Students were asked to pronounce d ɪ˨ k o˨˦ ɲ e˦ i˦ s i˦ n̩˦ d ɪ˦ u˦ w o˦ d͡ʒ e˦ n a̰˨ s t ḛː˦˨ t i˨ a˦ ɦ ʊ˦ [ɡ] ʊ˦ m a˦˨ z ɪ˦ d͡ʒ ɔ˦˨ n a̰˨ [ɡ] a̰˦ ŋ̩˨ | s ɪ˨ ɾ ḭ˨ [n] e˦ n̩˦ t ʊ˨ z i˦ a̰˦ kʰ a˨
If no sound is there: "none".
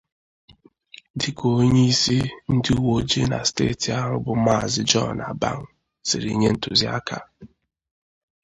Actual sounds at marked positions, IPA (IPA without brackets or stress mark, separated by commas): b, b, ɲ